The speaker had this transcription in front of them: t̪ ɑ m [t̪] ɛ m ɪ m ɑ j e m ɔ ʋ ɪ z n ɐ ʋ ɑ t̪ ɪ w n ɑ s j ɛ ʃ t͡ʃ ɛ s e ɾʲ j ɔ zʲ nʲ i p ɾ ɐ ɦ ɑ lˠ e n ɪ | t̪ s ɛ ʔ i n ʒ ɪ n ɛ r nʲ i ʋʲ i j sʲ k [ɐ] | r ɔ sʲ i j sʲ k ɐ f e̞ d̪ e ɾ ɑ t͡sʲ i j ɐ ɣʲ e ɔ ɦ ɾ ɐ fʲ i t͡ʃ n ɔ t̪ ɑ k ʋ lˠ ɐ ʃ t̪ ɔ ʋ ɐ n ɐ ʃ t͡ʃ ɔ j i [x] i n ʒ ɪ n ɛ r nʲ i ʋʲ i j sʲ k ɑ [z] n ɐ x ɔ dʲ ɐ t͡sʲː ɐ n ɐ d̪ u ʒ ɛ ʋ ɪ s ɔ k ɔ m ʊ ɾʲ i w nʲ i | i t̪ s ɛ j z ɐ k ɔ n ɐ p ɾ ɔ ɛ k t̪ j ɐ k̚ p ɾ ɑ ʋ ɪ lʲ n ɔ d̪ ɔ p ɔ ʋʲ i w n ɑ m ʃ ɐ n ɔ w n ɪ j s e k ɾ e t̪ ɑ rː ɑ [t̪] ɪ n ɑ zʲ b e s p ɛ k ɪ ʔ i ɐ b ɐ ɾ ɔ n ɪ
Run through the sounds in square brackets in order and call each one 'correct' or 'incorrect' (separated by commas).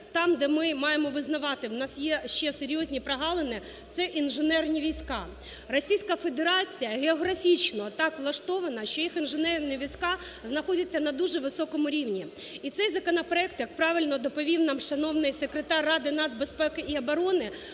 incorrect, incorrect, correct, correct, incorrect